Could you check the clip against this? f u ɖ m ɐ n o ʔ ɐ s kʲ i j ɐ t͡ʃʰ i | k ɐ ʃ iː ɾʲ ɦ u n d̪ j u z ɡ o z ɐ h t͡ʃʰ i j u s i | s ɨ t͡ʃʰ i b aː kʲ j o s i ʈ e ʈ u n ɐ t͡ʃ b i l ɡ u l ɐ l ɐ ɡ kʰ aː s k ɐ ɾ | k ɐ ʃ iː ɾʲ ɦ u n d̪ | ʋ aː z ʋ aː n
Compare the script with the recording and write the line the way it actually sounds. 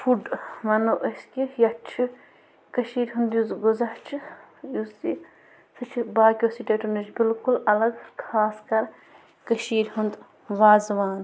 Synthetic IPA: f u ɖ m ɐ n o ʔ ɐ s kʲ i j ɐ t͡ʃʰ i | k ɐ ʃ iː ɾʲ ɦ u n d̪ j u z ɡ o z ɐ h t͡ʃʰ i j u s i | s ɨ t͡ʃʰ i b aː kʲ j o s i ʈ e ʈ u n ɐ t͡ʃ b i l k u l ɐ l ɐ ɡ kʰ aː s k ɐ ɾ | k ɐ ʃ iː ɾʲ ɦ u n d̪ | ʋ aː z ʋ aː n